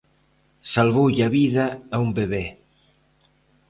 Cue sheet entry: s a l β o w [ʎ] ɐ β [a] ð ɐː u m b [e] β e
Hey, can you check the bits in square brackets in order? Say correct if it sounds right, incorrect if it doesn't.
correct, incorrect: i, correct

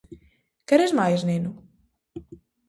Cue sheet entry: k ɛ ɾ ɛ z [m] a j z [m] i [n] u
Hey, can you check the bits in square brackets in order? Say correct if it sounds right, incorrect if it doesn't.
correct, incorrect: n, correct

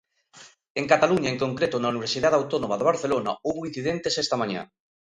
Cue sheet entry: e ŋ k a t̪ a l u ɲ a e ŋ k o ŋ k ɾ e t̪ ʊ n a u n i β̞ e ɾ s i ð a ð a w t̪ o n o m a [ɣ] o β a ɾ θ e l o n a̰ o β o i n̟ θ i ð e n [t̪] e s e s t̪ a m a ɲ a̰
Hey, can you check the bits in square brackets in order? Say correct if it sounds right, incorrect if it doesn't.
incorrect: ð, correct

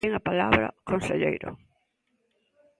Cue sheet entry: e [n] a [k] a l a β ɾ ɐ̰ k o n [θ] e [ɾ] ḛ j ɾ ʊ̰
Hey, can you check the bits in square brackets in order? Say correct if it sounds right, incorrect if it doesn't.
incorrect: ŋ, incorrect: p, incorrect: s, incorrect: ʎ

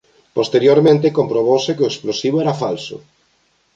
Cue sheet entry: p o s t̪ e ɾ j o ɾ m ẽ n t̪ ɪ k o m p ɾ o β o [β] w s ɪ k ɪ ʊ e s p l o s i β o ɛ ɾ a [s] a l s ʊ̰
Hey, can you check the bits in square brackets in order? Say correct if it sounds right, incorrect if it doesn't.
incorrect: none, incorrect: f

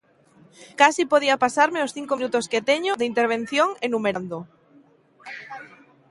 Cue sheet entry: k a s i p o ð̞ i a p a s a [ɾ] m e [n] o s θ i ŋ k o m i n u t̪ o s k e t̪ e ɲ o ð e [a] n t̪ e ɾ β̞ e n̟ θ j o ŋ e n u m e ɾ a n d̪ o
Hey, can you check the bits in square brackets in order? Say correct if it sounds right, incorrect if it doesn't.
correct, incorrect: none, incorrect: i

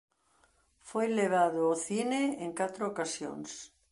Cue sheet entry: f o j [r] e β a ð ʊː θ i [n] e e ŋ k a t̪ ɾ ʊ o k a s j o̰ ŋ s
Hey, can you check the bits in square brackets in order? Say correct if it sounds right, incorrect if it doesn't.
incorrect: l, correct

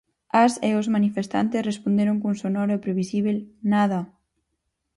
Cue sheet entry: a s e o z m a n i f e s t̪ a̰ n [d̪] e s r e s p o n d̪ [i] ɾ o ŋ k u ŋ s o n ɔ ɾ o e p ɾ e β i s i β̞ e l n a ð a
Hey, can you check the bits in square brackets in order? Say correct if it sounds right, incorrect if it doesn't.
incorrect: t̪, incorrect: e

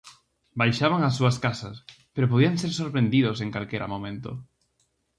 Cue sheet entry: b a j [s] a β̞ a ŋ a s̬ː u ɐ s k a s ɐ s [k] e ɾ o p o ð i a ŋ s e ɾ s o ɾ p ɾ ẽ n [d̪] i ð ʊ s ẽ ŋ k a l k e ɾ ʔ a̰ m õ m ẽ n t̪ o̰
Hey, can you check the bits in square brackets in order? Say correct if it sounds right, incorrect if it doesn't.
incorrect: ʃ, incorrect: p, correct

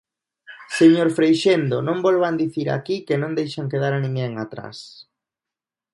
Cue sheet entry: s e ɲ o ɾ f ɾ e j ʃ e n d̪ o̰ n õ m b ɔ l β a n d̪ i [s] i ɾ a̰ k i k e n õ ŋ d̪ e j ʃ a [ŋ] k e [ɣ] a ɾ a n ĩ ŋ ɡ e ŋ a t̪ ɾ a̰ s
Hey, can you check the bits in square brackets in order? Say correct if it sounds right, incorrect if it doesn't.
incorrect: θ, correct, incorrect: ð

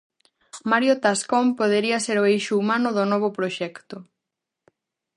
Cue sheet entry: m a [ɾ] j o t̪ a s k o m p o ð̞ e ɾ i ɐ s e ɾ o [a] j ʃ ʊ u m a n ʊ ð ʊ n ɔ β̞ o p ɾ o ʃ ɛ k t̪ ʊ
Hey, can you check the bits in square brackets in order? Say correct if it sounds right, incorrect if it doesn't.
correct, incorrect: e

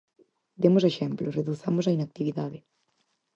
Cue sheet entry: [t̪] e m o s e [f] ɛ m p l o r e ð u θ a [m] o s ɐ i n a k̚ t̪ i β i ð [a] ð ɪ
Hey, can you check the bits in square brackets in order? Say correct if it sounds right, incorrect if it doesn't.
incorrect: d̪, incorrect: ʃ, correct, correct

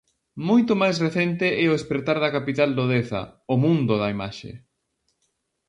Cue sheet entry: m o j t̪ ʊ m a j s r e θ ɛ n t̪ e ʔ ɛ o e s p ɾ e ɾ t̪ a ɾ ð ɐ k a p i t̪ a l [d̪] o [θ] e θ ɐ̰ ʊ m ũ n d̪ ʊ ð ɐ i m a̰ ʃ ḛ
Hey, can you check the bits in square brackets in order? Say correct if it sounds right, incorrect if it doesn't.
correct, incorrect: ð

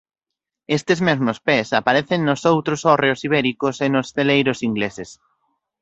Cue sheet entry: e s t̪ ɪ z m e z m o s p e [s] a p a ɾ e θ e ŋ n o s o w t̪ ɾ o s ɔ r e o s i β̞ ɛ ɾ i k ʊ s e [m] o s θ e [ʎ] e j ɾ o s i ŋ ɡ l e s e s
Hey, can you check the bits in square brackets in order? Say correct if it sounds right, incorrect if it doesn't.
correct, incorrect: n, incorrect: l

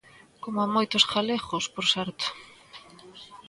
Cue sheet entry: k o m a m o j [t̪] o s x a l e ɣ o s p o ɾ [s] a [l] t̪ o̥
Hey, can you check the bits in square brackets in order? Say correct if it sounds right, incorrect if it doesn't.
correct, correct, incorrect: ɾ

